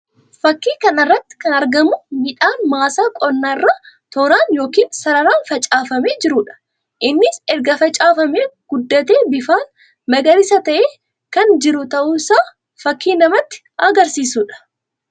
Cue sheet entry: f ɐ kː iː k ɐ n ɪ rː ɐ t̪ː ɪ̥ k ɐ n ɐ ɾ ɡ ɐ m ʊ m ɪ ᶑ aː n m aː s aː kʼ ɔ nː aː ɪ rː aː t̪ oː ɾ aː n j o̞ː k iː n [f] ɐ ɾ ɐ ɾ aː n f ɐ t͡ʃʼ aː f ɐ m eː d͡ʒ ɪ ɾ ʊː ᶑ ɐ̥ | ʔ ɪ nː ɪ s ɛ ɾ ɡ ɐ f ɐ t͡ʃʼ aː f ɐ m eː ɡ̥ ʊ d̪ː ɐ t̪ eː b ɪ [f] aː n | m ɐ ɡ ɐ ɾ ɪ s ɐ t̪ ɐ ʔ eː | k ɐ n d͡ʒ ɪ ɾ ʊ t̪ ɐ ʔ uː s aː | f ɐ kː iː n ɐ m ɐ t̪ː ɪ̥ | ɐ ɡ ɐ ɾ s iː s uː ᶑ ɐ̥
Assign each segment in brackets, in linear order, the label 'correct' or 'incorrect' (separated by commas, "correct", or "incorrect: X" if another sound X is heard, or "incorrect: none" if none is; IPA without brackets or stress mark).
incorrect: s, correct